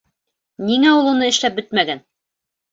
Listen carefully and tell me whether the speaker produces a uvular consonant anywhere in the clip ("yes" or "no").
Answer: no